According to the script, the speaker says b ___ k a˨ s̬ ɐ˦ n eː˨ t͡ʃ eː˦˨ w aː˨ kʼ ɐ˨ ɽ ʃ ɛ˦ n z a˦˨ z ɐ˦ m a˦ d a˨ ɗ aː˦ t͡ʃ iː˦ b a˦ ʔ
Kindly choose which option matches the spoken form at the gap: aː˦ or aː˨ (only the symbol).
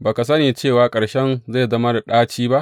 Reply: aː˨